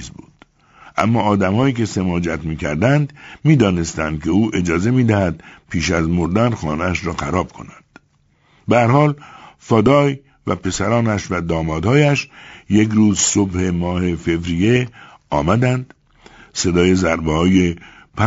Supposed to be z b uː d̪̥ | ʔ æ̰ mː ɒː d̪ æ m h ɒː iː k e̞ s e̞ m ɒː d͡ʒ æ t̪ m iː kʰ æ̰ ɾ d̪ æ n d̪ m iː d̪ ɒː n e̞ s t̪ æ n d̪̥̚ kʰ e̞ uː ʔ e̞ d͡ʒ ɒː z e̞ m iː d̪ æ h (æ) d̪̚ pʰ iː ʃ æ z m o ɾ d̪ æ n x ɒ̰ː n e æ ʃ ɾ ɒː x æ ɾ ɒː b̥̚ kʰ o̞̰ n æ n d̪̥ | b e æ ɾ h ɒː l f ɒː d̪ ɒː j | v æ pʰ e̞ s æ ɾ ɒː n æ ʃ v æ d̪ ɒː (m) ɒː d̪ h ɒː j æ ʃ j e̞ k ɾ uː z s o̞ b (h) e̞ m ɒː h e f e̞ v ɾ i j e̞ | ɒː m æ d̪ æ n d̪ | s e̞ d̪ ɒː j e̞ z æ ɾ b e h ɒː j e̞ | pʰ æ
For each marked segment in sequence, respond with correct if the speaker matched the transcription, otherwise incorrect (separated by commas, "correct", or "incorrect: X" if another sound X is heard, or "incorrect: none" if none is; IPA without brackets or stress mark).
correct, correct, correct